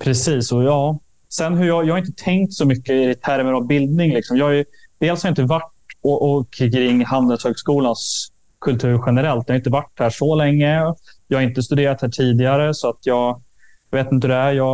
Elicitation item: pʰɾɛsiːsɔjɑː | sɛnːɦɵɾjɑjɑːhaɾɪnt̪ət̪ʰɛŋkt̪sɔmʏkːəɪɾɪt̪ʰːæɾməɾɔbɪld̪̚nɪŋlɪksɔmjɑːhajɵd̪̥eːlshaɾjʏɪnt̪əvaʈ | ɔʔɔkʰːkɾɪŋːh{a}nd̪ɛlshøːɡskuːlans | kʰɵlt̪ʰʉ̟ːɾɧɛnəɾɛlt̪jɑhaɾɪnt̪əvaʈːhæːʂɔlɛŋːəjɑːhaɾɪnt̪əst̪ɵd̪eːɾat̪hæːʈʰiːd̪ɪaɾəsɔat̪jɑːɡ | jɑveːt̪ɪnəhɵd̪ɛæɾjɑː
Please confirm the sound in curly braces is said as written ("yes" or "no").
yes